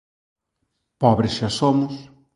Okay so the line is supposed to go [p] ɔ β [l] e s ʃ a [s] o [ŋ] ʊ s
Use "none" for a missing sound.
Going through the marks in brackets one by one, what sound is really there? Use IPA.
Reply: p, ɾ, s, m

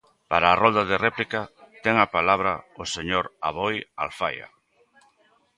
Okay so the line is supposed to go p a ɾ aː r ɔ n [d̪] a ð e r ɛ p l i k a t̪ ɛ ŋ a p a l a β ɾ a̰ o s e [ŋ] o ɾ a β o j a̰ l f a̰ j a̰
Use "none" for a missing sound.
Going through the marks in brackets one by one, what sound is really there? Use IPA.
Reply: d̪, ɲ

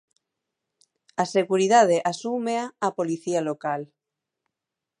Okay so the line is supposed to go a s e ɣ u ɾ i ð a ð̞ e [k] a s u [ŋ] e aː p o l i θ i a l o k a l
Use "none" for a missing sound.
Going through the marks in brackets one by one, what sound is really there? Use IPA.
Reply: ʔ, m

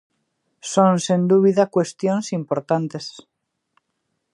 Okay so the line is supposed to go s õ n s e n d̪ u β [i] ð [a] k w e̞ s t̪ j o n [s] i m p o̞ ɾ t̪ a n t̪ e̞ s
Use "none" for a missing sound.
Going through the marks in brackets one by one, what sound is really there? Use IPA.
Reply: i, a, s

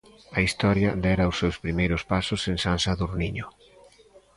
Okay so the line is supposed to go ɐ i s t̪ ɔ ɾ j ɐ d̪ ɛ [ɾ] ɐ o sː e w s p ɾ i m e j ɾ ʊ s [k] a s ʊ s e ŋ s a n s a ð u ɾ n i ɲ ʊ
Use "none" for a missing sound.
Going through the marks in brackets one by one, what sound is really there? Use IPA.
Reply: ɾ, p

